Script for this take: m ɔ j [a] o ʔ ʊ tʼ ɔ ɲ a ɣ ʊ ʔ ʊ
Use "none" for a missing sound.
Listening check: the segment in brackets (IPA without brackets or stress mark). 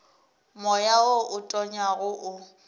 a